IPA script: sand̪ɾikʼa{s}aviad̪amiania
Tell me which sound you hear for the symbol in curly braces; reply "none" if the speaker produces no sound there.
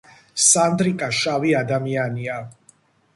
ʃ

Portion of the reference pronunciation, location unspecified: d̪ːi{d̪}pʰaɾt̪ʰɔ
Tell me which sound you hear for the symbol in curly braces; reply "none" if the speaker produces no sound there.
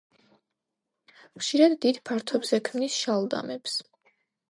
d̪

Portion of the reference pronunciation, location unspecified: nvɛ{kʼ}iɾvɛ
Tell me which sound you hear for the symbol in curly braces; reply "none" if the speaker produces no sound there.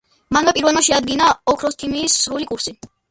pʼ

